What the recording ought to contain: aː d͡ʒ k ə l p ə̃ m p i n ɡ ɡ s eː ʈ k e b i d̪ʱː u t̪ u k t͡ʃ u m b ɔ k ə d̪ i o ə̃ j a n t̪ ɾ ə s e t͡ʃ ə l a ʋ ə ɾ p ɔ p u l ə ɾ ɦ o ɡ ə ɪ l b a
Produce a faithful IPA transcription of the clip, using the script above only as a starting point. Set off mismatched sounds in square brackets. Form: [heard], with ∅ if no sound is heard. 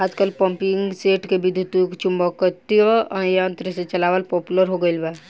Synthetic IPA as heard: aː d͡ʒ k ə l p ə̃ m p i [ŋ] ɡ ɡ s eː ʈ k e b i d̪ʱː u t̪ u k t͡ʃ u m b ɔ k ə [t̪] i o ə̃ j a n t̪ ɾ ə s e t͡ʃ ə l a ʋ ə [l] p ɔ p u l ə ɾ ɦ o ɡ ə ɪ l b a